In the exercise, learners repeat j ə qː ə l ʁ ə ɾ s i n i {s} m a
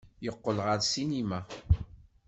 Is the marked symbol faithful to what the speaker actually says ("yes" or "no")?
no